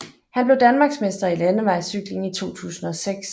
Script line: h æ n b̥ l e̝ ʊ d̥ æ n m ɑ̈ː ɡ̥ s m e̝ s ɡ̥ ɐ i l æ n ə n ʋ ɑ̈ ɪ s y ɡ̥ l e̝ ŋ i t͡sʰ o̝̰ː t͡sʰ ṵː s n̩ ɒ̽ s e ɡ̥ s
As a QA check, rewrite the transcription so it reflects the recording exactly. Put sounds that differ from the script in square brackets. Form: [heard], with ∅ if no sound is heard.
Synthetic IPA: h æ n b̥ l e̝ ʊ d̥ æ n m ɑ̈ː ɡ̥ s m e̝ s [d̥] ɐ i l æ n ə [∅] ʋ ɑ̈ ɪ s y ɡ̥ l e̝ ŋ i t͡sʰ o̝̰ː t͡sʰ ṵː s n̩ ɒ̽ s e ɡ̥ s